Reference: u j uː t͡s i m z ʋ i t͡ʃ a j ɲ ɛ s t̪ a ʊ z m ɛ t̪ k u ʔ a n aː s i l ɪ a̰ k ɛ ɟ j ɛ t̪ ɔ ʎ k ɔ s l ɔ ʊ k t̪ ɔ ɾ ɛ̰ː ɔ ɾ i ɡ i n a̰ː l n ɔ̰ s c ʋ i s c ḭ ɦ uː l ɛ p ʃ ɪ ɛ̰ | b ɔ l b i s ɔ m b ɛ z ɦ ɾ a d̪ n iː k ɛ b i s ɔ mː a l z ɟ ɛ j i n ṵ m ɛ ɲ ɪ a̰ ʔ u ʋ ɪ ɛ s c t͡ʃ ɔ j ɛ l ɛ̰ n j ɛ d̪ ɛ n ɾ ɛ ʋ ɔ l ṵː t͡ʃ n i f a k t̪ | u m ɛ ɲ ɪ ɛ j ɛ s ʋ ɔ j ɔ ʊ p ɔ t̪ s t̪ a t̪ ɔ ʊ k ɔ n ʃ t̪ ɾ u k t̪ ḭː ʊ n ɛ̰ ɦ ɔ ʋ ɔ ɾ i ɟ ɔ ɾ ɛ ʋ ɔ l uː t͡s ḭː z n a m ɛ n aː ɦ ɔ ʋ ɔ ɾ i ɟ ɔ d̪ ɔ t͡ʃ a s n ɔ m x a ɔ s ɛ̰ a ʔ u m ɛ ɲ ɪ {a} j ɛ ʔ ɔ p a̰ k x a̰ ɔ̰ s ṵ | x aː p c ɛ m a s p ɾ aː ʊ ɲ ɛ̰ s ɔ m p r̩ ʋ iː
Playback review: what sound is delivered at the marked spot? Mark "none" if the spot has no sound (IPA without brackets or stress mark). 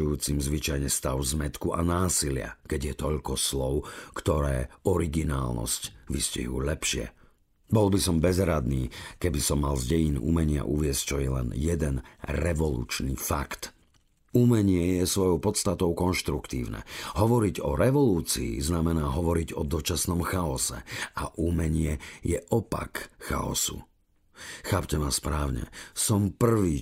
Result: ɛ